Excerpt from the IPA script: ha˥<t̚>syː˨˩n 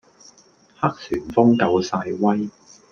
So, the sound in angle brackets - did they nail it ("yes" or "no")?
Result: no